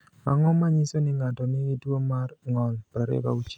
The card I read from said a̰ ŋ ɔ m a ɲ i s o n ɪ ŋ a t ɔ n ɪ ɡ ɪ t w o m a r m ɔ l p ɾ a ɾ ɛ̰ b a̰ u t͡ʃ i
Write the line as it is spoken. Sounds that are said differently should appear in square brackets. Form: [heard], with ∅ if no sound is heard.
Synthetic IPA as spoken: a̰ ŋ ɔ m a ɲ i s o n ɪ ŋ a t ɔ n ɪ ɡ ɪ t w o m a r [ŋ] ɔ l p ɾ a ɾ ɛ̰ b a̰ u t͡ʃ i